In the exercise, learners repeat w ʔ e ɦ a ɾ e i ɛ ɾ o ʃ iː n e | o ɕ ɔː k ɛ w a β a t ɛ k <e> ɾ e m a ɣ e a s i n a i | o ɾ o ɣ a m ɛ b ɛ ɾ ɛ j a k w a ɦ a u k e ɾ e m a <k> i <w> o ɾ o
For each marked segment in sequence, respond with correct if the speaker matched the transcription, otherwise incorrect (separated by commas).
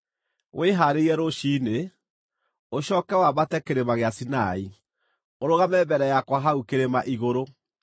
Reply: correct, incorrect, incorrect